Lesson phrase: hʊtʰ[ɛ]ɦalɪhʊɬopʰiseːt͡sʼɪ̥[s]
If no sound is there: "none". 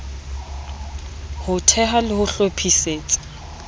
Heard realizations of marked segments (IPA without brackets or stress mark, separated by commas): ɛ, none